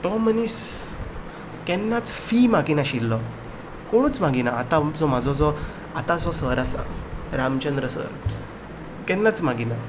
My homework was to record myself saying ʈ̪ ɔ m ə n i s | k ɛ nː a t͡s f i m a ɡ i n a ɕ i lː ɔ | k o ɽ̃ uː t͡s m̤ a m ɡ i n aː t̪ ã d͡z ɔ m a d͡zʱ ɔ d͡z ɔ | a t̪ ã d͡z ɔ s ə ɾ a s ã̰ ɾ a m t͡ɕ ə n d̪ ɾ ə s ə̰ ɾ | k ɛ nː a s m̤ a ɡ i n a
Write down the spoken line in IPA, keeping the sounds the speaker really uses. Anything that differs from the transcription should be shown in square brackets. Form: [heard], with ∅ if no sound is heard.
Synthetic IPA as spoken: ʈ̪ ɔ m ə n i s | k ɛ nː a t͡s f i m a ɡ i n a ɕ i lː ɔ | k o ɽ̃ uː t͡s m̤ a [∅] ɡ i n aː t̪ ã d͡z ɔ m a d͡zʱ ɔ d͡z ɔ | a t̪ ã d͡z ɔ s ə ɾ a s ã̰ ɾ a m t͡ɕ ə n d̪ ɾ ə s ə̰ ɾ | k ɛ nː a [t͡s] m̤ a ɡ i n a